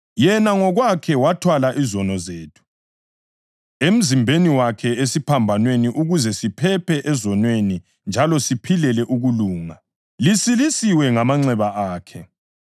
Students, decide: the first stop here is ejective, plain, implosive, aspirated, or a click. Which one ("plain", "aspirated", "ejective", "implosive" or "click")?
aspirated